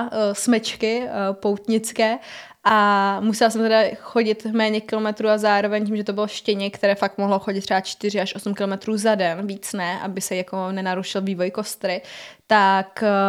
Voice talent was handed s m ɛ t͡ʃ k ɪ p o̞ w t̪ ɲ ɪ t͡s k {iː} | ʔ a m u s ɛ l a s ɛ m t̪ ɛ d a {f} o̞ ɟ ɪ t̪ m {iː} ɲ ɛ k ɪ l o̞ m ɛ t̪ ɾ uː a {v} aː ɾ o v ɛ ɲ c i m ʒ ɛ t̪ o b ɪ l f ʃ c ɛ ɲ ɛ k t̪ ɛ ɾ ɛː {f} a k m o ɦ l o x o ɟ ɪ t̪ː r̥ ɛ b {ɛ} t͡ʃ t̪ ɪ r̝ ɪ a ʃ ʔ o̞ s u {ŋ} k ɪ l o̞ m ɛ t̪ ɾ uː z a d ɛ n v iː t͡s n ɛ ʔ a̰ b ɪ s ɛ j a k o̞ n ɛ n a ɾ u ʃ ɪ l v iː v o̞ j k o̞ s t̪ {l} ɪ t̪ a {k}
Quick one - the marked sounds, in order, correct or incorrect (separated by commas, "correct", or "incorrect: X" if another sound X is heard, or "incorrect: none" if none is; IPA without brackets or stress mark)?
incorrect: ɛː, incorrect: x, incorrect: ɛː, incorrect: z, correct, incorrect: a, incorrect: m, incorrect: ɾ, correct